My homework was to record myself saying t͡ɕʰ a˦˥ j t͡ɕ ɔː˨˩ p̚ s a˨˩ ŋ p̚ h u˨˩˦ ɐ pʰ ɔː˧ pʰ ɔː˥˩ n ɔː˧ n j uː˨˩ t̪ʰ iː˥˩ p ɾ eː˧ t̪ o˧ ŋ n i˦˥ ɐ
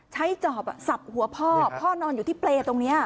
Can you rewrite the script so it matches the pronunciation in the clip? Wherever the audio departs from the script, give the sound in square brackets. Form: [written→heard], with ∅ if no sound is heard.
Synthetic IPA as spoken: t͡ɕʰ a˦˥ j t͡ɕ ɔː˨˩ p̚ s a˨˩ [ŋ→∅] p̚ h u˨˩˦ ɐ pʰ [ɔː˧→ɔː˥˩] pʰ ɔː˥˩ n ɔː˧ n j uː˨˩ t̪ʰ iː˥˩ p [ɾ→l] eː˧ t̪ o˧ ŋ n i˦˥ ɐ